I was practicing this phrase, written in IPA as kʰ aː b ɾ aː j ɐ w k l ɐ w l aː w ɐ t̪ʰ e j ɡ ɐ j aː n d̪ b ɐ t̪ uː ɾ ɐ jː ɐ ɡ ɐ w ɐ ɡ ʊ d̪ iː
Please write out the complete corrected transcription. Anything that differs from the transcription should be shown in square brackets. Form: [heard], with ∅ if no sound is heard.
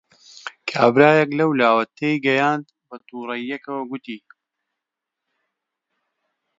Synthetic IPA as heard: kʰ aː b ɾ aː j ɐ [∅] k l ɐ w l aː w ɐ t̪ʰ e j ɡ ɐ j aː n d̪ b ɐ t̪ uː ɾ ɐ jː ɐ [k] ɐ w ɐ ɡ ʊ [t̪] iː

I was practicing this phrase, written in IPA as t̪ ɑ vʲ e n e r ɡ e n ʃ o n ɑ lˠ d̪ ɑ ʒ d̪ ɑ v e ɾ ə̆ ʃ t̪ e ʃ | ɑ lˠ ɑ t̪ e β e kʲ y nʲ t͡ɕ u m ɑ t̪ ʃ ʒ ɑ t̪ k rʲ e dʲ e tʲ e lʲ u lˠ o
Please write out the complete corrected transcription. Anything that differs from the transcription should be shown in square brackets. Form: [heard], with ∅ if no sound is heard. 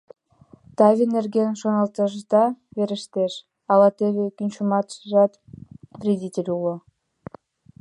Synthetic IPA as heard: t̪ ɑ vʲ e n e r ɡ e n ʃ o n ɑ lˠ [t̪] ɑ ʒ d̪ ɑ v e ɾ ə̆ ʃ t̪ e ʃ | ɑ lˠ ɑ t̪ e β e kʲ y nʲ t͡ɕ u m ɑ t̪ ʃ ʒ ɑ t̪ k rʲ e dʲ [i] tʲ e lʲ u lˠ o

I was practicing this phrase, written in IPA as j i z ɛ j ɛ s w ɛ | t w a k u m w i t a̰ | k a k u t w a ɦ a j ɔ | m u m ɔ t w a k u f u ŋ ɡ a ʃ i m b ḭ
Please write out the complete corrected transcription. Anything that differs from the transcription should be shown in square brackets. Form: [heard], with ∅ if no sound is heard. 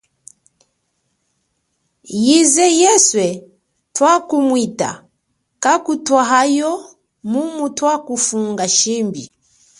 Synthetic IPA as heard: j i z ɛ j ɛ s w ɛ | t w a k u m w i t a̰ | k a k u t w a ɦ a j ɔ | m u m [u] t w a k u f u ŋ ɡ a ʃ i m b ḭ

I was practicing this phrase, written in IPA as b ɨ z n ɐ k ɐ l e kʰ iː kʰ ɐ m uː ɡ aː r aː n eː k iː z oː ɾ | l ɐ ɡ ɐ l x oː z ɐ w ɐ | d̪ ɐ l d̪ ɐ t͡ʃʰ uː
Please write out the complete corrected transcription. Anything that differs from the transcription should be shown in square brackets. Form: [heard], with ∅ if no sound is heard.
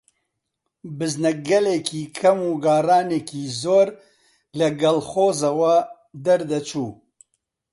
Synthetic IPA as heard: b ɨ z n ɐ [ɡ] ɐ l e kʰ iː kʰ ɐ m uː ɡ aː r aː n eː k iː z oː ɾ | l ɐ ɡ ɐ l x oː z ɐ w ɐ | d̪ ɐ [ɾ] d̪ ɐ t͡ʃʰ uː

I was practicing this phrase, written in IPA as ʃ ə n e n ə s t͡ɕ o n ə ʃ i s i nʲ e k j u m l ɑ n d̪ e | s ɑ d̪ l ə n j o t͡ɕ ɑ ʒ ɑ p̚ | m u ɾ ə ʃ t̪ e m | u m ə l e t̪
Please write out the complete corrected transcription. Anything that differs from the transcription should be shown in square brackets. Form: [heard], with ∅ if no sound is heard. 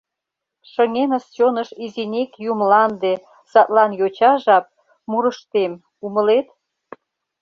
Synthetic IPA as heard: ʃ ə [ŋ] e n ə s t͡ɕ o n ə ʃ i [z] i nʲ e k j u m l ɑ n d̪ e | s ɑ [t̪] l [ɑ] n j o t͡ɕ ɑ ʒ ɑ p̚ | m u ɾ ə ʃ t̪ e m | u m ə l e t̪

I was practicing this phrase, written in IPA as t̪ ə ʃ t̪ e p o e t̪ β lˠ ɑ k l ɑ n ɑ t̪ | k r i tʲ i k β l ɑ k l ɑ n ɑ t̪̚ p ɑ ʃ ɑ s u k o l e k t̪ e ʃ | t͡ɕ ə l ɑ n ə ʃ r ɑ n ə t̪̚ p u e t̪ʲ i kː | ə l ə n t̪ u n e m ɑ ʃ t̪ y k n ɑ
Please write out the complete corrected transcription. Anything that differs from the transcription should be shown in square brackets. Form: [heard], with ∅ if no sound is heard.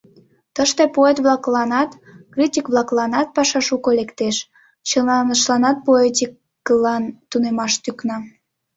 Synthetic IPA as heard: t̪ ə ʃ t̪ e p o e t̪ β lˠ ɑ k l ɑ n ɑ t̪ | k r i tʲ i k β l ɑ k l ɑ n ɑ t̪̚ p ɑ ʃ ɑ [ʃ] u k o l e k t̪ e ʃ | t͡ɕ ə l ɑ n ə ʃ [l] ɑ n [ɑ] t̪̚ p [o] e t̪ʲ i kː | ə l [ɑ] n t̪ u n e m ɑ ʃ t̪ y k n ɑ

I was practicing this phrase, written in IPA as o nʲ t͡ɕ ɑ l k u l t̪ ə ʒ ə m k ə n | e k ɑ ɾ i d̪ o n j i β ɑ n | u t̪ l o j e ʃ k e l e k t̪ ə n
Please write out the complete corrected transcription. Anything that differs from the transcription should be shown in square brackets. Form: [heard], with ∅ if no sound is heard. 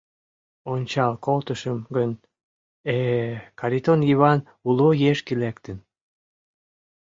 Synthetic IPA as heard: o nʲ t͡ɕ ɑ l k [o] l t̪ ə [ʃ] ə m [ɡ] ə n | e k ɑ ɾ i [t̪] o n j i β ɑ n | u [∅] l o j e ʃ k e l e k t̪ ə n

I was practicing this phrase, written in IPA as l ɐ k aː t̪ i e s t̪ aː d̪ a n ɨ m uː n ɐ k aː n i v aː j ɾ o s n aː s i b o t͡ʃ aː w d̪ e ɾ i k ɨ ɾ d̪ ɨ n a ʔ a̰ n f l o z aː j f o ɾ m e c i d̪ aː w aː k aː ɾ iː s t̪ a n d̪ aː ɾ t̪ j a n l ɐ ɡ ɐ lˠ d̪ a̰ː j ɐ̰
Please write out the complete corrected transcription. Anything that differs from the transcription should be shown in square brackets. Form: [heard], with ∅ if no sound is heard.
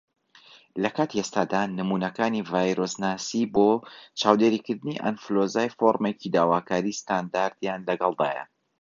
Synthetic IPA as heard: l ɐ k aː t̪ i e s t̪ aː d̪ a n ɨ m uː n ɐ k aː n i v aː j ɾ o s n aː s i b o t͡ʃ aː w d̪ e ɾ i k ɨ ɾ d̪ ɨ n [i] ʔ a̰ n f l o z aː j f o ɾ m e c i d̪ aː w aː k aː ɾ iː s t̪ a n d̪ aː ɾ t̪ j a n l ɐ ɡ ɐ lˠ d̪ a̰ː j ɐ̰

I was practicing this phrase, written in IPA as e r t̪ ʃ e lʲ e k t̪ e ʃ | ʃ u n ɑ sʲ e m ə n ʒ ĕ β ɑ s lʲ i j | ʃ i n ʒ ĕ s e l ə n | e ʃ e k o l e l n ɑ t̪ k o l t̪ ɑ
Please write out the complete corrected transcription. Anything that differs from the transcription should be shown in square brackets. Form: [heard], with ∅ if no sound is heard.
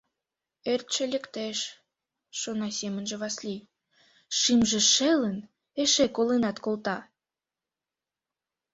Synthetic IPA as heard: e r t̪ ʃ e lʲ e k t̪ e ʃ | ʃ [o] n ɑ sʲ e m ə n ʒ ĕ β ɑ s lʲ i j | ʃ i [m] ʒ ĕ [ʃ] e l ə n | e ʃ e k o l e [∅] n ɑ t̪ k o l t̪ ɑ

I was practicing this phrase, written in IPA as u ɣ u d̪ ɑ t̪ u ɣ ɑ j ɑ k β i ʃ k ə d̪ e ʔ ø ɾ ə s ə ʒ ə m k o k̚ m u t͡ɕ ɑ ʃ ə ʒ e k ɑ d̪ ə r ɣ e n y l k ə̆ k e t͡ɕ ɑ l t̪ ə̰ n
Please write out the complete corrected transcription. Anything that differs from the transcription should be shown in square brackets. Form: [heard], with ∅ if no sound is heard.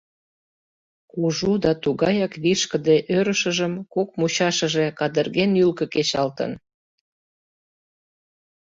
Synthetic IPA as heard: u [ʒ] u d̪ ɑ t̪ u ɣ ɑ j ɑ k β i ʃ k ə d̪ e ʔ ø ɾ ə [ʃ] ə ʒ ə m k o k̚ m u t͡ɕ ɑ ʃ ə ʒ e k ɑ d̪ ə r ɣ e n y l k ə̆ k e t͡ɕ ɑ l t̪ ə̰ n

